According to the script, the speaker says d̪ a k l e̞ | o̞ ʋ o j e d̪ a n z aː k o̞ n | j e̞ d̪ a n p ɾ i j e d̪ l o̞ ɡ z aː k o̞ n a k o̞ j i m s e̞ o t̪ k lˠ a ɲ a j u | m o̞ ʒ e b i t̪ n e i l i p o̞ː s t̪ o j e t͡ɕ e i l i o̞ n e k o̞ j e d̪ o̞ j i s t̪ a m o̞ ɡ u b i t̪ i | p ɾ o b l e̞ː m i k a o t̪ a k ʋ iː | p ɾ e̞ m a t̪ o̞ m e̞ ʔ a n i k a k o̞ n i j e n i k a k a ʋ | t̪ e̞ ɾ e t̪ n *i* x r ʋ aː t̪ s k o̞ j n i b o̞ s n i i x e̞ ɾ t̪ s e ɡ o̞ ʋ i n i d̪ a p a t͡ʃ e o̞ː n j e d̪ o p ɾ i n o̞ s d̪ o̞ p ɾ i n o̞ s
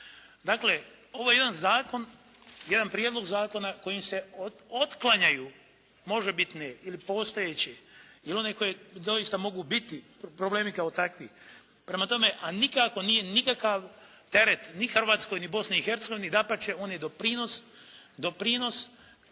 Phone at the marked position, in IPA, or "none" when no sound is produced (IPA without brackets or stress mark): i